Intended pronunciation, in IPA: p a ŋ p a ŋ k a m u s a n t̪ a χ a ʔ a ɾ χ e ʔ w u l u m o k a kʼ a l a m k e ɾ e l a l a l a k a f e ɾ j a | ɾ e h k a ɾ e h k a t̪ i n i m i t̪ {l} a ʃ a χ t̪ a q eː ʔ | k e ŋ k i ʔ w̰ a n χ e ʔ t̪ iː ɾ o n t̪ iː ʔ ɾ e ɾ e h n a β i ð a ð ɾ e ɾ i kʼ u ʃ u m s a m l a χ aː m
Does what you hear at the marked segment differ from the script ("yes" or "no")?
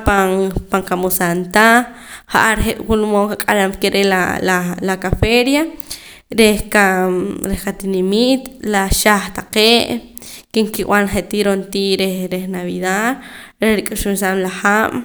no